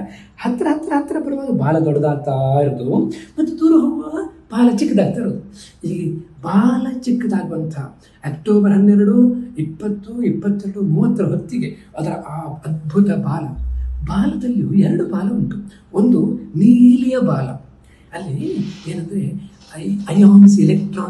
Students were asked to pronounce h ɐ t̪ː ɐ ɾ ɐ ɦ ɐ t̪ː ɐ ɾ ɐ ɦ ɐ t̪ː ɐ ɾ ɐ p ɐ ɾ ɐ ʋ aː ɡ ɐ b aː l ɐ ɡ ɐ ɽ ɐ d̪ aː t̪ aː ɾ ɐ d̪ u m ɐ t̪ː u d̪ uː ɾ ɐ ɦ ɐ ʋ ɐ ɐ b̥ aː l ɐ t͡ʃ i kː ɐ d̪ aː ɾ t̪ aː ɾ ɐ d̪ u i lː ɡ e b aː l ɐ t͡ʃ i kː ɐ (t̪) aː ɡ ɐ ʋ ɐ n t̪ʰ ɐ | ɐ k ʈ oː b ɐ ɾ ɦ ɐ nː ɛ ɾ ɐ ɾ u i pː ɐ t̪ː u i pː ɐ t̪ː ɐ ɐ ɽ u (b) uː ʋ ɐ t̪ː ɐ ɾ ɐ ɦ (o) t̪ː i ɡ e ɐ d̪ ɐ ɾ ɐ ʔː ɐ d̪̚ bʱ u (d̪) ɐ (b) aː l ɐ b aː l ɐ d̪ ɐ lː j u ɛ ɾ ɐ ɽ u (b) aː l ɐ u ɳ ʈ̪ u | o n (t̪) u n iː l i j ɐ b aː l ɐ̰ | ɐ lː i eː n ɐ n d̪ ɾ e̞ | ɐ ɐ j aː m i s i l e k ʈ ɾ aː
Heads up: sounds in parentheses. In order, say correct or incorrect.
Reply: incorrect: d̪, incorrect: m, correct, incorrect: t̪, correct, correct, incorrect: d̪

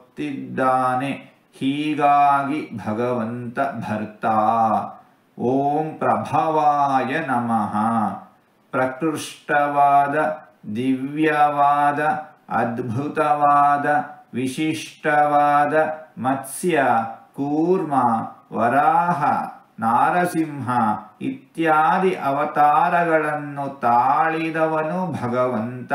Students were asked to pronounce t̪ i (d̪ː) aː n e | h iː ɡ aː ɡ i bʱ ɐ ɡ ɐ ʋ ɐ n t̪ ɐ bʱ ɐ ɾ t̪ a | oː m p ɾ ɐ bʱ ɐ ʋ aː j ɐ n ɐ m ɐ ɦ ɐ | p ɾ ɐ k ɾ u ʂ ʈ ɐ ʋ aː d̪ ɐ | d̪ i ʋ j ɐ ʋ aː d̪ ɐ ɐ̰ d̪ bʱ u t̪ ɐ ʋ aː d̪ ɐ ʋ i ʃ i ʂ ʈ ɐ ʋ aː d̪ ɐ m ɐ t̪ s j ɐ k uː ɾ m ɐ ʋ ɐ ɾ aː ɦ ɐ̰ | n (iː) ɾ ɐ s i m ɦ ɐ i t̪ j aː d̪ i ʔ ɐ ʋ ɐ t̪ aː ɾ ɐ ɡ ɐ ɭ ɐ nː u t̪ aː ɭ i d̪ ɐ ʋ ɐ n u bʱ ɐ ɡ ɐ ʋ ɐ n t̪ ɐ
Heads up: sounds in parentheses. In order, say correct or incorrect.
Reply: correct, incorrect: aː

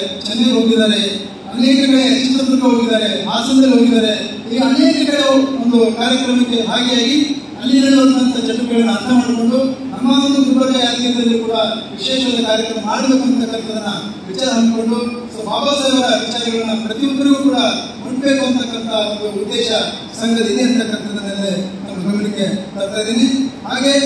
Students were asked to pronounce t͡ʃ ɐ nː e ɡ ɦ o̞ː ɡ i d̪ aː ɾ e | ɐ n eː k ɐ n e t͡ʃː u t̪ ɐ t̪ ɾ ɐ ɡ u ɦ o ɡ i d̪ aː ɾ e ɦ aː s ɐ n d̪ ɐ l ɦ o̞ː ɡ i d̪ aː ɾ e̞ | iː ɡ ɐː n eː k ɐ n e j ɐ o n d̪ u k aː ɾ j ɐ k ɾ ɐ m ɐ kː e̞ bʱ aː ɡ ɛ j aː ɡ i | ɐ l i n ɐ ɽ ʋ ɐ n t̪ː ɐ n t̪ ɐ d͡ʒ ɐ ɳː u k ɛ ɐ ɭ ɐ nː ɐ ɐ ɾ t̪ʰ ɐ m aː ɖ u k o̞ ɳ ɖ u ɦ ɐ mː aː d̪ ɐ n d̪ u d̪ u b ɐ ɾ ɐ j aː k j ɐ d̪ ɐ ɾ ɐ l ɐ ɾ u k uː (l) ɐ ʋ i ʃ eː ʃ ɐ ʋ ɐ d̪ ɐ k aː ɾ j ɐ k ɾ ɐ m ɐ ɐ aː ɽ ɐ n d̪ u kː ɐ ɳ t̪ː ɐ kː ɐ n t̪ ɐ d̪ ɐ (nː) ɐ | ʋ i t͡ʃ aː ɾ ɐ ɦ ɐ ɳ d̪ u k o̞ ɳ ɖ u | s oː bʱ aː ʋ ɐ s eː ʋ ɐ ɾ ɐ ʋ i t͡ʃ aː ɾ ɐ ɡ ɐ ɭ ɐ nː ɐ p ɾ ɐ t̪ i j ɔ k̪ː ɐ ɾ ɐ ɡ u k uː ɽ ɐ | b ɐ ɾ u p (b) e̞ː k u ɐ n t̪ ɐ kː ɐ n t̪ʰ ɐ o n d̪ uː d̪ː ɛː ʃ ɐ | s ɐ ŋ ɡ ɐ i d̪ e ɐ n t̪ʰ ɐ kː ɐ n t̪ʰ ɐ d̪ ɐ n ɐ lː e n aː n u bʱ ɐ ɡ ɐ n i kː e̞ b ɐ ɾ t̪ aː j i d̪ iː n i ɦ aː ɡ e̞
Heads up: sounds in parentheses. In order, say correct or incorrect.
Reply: incorrect: ɽ, correct, correct

